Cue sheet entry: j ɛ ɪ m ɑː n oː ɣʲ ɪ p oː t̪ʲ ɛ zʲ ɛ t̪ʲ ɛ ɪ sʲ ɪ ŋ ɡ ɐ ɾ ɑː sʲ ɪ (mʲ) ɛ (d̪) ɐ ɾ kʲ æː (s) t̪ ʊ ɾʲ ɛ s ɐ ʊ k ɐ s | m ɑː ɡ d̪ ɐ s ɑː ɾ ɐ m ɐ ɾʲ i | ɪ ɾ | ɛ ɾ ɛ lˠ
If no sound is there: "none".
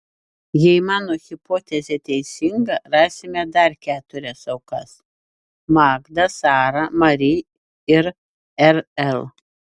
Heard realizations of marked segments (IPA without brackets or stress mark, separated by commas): mʲ, d̪, none